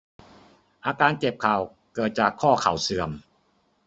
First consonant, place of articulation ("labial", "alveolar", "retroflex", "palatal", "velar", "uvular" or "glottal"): glottal